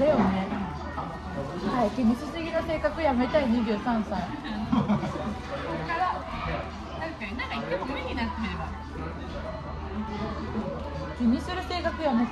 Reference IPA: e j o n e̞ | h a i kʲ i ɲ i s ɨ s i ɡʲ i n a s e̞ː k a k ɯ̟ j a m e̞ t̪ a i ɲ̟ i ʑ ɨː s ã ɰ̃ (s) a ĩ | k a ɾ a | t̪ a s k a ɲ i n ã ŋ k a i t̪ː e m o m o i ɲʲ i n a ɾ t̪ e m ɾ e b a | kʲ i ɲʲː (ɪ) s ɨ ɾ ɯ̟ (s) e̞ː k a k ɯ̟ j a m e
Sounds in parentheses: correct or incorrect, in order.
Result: correct, incorrect: i, correct

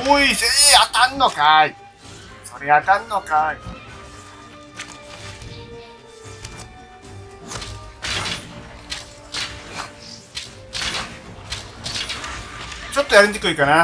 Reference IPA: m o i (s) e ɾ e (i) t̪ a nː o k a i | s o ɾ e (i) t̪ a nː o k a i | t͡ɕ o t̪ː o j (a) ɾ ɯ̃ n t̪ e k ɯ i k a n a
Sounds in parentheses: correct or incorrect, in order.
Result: correct, incorrect: a, incorrect: a, correct

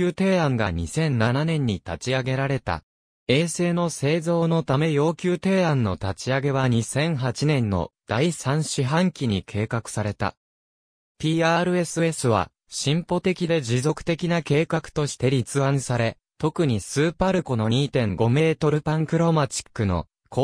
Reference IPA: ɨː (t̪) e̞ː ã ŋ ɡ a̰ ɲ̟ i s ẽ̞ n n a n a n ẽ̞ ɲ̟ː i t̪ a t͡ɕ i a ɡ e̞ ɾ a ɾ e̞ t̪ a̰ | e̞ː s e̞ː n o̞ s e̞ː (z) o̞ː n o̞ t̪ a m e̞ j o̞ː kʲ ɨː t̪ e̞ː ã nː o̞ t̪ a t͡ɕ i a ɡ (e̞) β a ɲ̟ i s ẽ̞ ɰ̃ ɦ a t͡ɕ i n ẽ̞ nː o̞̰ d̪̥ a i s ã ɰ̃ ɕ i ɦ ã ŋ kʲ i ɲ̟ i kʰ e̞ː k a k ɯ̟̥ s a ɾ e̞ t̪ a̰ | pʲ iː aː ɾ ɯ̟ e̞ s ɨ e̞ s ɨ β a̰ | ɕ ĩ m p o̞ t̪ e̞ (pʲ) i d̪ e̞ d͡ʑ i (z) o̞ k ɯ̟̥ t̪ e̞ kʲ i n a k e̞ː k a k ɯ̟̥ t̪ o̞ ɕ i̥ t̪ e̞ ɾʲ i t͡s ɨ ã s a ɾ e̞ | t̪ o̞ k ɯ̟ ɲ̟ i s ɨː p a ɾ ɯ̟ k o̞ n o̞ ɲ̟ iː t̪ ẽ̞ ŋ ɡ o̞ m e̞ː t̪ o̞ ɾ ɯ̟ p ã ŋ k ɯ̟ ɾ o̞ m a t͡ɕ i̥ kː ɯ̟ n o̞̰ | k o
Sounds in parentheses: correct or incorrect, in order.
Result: correct, correct, correct, incorrect: kʲ, correct

